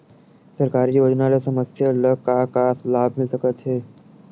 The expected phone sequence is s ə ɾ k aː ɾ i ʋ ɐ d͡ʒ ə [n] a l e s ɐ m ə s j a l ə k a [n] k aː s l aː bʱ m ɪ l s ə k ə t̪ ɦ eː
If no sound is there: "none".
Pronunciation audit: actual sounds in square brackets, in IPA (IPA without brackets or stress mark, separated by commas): n, none